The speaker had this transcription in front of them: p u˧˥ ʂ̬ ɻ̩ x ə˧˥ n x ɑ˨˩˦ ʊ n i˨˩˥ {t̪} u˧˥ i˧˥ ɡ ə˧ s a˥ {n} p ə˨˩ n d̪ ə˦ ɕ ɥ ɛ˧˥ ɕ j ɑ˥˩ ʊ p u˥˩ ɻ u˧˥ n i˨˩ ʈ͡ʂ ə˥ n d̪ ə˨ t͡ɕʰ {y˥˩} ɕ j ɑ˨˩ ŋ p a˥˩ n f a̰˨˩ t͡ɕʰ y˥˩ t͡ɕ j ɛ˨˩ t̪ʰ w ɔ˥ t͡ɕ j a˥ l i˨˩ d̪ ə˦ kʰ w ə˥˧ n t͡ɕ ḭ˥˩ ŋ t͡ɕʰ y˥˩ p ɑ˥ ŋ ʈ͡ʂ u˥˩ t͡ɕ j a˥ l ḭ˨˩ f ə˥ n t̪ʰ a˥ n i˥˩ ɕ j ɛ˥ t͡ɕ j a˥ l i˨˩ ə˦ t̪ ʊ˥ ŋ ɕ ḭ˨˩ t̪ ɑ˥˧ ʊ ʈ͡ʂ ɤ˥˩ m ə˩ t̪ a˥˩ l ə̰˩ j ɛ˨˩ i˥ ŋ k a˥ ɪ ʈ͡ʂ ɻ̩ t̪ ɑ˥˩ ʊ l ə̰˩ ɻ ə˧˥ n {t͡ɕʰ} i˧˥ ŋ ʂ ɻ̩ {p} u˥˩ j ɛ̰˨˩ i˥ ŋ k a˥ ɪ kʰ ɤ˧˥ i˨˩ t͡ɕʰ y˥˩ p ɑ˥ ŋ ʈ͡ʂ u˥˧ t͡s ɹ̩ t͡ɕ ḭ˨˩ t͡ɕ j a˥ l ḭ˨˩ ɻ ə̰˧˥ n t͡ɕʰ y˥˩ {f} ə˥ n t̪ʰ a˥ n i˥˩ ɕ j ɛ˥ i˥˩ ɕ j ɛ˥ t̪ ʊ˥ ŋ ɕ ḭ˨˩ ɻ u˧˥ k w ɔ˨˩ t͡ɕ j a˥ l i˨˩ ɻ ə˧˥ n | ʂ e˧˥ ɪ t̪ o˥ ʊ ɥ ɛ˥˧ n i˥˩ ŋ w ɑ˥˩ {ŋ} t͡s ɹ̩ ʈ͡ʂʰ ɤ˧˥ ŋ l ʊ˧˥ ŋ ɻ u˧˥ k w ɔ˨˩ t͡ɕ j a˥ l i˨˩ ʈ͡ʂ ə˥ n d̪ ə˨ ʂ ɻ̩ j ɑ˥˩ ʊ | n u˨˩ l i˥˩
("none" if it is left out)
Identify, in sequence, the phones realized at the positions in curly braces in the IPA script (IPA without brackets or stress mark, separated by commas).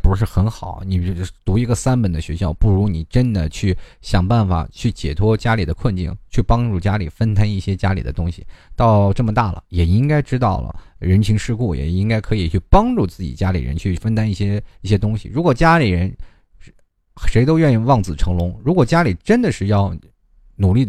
t̪, n, y˥˩, t͡ɕʰ, k, f, ŋ